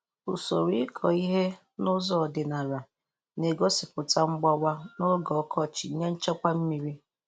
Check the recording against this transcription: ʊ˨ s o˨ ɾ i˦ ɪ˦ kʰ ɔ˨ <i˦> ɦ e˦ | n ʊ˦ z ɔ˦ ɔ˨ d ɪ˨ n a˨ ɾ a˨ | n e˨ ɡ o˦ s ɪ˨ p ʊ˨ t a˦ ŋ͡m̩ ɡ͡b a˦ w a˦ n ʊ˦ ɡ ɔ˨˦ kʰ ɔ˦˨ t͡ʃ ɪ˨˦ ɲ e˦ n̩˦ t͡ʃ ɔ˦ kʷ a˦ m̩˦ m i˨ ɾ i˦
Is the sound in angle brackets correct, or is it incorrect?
correct